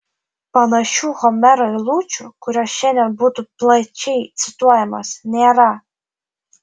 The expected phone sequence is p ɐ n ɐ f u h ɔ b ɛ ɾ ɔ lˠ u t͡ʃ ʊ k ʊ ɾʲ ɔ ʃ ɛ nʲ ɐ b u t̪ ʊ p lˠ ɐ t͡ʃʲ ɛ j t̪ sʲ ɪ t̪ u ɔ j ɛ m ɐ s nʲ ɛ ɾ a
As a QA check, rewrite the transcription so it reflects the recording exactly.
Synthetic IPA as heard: p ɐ n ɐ ʃ u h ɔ m ɛ ɾ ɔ lˠ u t͡ʃ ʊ k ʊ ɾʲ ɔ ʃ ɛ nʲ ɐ b u t̪ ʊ p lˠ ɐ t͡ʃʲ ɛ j t̪ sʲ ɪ t̪ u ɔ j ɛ m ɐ s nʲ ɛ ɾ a